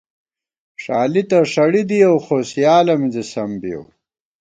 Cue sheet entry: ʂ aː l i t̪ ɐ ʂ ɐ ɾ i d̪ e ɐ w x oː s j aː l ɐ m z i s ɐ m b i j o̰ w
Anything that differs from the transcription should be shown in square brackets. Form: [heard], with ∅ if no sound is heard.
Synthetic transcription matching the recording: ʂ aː l i t̪ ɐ ʂ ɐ [ɽ] i d̪ [i] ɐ w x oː s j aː l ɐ m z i s ɐ m b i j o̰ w